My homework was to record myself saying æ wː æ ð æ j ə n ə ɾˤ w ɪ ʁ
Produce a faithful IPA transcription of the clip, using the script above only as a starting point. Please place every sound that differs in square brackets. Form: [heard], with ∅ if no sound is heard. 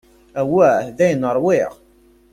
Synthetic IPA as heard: æ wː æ ð æ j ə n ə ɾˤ w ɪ ʁ

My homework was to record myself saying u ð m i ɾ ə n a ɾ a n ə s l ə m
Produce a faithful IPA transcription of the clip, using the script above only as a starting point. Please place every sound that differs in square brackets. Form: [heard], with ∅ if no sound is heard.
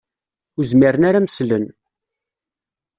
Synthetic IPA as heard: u [z] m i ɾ ə n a ɾ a [m] ə s l ə [n]

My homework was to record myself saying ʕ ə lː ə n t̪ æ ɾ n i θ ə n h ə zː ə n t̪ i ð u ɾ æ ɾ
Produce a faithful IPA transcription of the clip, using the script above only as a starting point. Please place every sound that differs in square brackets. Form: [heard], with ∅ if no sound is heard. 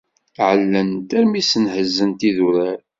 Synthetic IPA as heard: ʕ ə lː ə n t̪ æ ɾ [m] i [s] ə n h ə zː ə n t̪ i ð u ɾ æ ɾ

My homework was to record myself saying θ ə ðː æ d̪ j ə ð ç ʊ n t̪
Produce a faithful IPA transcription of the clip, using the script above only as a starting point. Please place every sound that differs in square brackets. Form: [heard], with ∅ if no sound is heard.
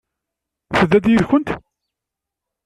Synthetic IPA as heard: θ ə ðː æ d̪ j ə ð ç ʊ n t̪

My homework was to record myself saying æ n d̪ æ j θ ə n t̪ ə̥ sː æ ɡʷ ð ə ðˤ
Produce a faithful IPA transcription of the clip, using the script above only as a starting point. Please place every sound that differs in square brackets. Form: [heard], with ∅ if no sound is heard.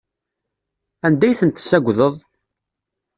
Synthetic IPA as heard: æ n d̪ æ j θ ə n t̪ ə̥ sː æ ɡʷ ð ə ðˤ

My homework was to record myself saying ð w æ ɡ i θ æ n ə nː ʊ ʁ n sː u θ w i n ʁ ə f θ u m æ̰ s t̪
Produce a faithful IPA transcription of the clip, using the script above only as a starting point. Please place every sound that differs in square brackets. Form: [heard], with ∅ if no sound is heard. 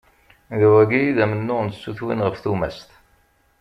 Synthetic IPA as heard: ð w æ ɡ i [ð] æ [m] ə nː ʊ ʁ n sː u θ w i n ʁ ə f θ u m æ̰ s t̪

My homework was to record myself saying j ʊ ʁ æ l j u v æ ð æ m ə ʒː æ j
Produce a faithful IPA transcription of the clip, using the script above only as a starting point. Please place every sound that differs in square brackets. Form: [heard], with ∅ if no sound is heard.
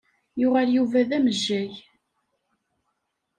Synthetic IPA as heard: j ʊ ʁ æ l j u v æ ð æ m ə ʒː æ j

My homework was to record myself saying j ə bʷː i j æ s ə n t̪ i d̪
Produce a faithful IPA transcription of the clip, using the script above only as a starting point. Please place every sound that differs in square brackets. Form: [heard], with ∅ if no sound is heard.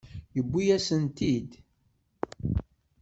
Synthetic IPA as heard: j ə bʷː i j æ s ə n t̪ i d̪

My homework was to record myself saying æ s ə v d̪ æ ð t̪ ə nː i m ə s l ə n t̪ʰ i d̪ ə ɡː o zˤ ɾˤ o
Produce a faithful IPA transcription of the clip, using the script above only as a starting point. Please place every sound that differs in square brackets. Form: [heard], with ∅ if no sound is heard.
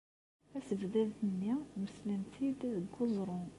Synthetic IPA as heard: æ s ə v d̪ æ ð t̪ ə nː i m ə s l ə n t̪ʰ i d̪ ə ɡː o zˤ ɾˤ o

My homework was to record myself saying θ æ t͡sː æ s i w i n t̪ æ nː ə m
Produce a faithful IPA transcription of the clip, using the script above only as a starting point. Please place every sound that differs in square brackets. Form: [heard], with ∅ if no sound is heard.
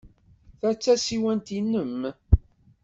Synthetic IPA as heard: θ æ t͡sː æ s i w [æ] n t̪ [i] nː ə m

